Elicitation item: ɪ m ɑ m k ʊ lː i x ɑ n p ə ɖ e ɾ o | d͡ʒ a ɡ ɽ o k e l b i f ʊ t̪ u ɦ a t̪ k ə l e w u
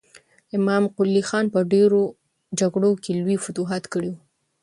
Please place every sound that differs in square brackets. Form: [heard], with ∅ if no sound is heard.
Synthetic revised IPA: ɪ m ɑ m [q] ʊ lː i x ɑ n p ə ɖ e ɾ o | d͡ʒ a ɡ ɽ o k e l [w] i f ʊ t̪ u ɦ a t̪ k ə [ɽ] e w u